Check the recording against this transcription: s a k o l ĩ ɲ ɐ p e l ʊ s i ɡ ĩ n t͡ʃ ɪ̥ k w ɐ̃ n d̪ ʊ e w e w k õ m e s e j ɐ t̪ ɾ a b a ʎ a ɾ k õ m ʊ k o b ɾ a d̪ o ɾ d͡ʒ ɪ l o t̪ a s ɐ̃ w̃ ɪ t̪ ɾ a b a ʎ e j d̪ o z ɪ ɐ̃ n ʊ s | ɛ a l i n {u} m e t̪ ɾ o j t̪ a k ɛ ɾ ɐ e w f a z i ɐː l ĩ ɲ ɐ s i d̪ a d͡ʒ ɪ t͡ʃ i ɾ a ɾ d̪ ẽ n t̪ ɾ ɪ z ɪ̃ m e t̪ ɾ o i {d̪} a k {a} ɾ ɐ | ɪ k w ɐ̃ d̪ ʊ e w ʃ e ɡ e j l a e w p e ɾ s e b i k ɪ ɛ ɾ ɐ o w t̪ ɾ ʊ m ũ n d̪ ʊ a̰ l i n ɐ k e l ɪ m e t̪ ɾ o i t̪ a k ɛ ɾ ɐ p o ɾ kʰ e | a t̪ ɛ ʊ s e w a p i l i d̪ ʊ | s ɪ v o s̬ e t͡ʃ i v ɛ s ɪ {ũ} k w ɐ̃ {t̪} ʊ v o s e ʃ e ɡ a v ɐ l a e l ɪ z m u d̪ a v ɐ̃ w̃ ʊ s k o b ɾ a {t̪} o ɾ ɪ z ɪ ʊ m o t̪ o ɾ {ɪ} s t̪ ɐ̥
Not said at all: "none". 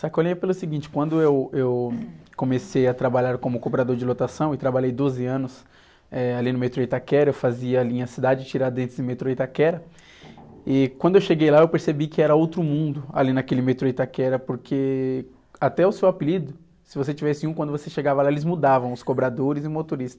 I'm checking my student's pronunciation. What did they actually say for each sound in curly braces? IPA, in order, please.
ʊ, t̪, ɛ, ũ, d̪, d̪, i

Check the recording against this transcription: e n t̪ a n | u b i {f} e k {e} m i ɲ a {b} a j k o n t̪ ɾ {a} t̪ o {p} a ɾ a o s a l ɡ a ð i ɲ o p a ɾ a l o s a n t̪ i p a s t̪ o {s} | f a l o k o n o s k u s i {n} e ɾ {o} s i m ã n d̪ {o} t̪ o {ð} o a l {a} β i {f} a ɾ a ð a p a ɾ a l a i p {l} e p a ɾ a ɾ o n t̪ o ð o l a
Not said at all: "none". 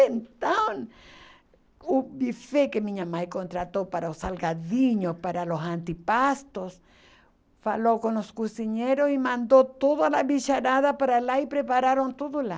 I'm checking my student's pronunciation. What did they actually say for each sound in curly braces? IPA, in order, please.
f, e, m, a, p, s, ɲ, o, o, ð, a, ʃ, ɾ

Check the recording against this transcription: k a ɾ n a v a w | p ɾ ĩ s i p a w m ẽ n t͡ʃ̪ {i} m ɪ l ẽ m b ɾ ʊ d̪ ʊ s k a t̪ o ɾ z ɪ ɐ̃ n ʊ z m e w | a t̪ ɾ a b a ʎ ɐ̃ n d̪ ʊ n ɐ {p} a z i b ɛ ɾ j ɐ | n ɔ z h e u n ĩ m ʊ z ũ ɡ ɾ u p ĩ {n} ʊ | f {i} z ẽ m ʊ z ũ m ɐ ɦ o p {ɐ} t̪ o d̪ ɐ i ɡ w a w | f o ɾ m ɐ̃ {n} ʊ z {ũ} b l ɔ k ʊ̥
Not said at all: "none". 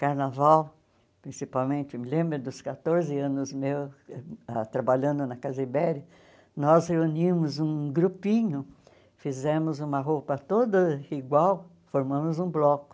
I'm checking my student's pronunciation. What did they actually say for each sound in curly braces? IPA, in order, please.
ɪ, k, ɲ, i, ɐ, m, ũ

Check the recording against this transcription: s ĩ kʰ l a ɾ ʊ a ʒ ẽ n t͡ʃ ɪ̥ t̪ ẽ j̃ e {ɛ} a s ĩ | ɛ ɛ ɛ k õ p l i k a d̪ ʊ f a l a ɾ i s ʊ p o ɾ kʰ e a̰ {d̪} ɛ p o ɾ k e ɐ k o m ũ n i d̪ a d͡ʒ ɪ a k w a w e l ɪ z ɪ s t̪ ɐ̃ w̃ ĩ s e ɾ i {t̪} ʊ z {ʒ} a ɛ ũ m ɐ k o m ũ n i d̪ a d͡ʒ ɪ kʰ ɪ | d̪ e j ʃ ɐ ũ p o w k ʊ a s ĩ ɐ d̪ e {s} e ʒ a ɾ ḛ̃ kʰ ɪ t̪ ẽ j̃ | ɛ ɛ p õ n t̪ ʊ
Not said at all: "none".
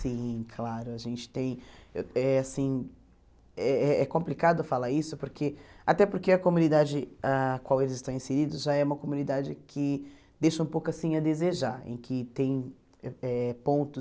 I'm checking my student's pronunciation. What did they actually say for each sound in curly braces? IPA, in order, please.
ɛ, t̪, d̪, ʒ, z

